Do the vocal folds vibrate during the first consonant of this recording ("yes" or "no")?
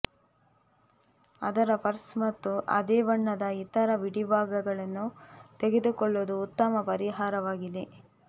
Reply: yes